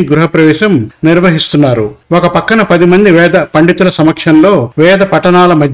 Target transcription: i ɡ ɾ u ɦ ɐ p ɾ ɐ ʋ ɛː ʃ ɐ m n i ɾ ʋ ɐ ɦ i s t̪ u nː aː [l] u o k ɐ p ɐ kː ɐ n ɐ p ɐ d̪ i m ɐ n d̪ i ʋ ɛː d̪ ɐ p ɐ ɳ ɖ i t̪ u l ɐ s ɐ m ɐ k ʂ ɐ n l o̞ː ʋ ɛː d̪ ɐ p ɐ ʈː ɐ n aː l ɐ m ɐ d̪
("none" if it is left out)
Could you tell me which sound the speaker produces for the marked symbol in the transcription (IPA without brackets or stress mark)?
ɾ